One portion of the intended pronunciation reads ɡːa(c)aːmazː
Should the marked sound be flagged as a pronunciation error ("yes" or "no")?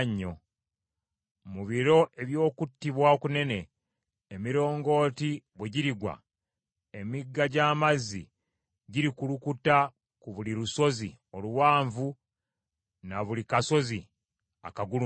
yes